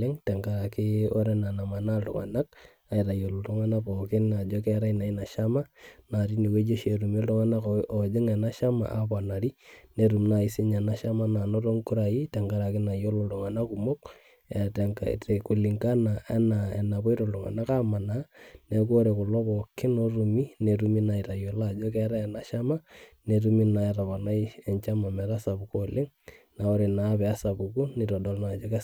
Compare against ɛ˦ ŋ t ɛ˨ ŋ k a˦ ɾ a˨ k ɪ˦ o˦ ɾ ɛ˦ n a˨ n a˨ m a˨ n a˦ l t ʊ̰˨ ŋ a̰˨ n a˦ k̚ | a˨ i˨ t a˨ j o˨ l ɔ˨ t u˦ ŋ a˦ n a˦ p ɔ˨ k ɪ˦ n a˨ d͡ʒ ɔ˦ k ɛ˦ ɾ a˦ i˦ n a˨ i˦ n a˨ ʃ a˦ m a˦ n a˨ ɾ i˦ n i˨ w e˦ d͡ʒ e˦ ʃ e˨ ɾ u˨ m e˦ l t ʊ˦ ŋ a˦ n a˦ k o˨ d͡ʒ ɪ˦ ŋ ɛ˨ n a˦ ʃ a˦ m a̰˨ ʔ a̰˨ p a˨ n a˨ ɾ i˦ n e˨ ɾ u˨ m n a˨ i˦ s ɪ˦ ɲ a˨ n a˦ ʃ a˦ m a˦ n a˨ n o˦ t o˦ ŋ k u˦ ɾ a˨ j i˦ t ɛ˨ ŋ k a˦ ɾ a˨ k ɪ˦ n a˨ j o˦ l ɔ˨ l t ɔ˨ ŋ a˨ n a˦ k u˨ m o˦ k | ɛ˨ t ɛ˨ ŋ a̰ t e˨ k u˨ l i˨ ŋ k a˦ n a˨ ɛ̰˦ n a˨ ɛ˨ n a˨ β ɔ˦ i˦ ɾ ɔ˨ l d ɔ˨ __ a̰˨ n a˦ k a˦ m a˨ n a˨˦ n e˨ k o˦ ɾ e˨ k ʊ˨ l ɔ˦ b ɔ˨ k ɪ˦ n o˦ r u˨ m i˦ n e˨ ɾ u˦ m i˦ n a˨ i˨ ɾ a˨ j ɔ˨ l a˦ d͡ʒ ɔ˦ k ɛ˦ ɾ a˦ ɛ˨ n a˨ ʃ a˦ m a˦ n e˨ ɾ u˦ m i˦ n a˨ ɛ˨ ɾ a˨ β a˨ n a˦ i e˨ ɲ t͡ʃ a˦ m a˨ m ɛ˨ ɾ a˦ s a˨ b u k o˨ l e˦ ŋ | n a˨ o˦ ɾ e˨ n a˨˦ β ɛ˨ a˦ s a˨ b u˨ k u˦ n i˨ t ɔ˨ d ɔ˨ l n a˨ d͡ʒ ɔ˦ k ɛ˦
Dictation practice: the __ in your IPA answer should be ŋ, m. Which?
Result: ŋ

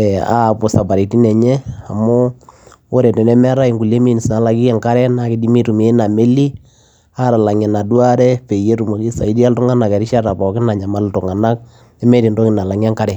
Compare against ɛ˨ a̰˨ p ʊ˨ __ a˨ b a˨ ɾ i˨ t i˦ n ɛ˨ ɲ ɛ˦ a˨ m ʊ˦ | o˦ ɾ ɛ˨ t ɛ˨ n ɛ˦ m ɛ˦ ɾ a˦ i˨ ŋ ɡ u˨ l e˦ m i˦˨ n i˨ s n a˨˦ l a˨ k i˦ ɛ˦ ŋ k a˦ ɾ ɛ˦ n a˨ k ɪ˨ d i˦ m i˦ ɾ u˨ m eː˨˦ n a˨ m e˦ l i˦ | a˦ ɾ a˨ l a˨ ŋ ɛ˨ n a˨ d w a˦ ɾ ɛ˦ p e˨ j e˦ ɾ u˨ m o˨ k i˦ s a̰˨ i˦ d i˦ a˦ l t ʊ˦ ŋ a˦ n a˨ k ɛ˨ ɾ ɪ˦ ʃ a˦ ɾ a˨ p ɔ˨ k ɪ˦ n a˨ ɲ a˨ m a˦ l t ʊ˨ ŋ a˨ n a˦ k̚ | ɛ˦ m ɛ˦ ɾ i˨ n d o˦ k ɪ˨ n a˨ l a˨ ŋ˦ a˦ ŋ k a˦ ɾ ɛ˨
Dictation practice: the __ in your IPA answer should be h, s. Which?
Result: s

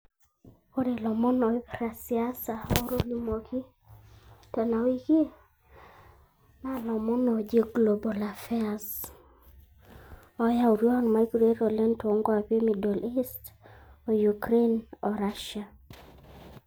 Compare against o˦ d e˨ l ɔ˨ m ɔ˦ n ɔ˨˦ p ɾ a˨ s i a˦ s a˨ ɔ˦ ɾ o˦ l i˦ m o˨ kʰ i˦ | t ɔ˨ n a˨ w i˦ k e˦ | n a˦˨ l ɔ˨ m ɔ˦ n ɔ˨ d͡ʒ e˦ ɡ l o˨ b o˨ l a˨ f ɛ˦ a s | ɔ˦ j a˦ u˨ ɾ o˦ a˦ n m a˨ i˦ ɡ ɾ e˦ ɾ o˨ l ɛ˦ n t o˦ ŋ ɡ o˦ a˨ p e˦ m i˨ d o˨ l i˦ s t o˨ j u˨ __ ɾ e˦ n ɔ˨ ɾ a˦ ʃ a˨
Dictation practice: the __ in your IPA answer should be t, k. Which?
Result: k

